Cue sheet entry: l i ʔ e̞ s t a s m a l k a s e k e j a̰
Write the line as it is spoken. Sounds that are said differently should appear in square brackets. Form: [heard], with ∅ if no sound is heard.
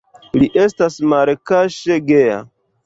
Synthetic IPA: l i ʔ e̞ s t a s m a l k a [ʃ] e [ɡ] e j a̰